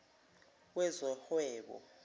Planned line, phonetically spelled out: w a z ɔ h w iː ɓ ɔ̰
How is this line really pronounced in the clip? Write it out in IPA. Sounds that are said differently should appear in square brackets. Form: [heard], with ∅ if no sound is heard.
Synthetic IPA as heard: w [ɛ] z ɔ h w [ɛː] ɓ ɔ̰